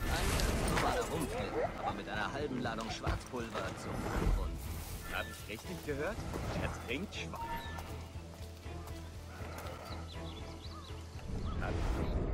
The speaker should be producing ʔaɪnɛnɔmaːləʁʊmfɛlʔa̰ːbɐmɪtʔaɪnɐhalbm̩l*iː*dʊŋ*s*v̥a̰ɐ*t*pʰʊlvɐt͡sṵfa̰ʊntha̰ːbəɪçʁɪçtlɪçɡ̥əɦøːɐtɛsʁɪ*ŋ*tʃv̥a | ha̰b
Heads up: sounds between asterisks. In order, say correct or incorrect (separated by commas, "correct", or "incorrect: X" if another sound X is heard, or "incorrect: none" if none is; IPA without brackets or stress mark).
incorrect: aː, incorrect: ʃ, incorrect: t͡s, correct